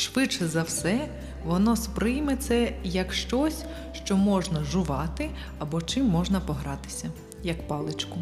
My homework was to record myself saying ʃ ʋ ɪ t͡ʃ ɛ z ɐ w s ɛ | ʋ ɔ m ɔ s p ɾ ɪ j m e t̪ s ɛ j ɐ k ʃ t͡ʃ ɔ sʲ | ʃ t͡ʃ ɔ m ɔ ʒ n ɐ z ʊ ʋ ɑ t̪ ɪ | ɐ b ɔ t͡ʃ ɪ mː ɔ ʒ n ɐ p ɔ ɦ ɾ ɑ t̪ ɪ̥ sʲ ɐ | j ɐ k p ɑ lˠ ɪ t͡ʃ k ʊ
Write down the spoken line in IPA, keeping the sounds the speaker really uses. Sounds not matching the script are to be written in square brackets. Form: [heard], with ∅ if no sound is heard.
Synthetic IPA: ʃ ʋ ɪ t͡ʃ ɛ z ɐ w s ɛ | ʋ ɔ [n] ɔ s p ɾ ɪ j m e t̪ s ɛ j ɐ k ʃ t͡ʃ ɔ sʲ | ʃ t͡ʃ ɔ m ɔ ʒ n ɐ [ʒ] ʊ ʋ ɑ t̪ ɪ | ɐ b ɔ t͡ʃ ɪ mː ɔ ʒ n ɐ p ɔ ɦ ɾ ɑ t̪ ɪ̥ sʲ ɐ | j ɐ k p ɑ lˠ ɪ t͡ʃ k ʊ